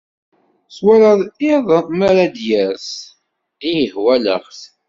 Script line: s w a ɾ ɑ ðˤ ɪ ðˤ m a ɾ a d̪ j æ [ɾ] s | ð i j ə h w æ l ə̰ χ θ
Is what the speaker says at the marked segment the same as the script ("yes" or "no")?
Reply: yes